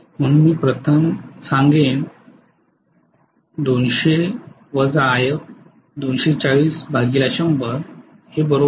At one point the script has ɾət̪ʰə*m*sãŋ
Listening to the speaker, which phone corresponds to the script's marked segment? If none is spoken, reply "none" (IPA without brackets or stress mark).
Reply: m